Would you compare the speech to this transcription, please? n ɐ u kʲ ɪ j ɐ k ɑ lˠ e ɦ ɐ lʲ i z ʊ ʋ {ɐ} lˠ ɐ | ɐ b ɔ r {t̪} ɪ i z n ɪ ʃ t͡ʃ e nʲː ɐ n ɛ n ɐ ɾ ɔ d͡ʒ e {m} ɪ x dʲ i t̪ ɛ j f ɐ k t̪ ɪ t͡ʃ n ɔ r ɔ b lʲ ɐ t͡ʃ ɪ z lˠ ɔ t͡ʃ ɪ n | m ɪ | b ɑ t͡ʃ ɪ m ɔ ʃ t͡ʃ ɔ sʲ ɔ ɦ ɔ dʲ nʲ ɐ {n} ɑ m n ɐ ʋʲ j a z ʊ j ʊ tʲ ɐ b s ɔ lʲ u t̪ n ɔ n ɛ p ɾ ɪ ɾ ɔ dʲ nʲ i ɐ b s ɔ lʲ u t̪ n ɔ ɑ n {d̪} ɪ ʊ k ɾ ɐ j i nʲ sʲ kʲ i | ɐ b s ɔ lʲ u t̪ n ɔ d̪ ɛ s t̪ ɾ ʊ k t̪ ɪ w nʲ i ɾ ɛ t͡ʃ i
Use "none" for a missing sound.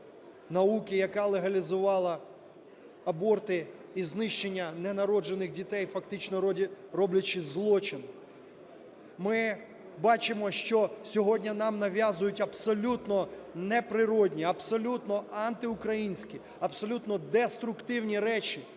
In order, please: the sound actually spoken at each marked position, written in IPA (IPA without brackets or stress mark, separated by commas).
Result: ɑ, t̪, n, n, t̪